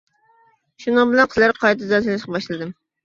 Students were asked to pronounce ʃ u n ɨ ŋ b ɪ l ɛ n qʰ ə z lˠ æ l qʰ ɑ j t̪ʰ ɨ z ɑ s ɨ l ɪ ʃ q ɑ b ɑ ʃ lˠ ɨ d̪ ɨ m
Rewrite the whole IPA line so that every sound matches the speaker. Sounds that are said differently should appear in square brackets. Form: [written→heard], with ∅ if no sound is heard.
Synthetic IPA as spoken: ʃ u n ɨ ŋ b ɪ l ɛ n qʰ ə z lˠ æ [l→ɾ] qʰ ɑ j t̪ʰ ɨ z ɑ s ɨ l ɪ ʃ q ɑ b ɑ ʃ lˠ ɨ d̪ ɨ m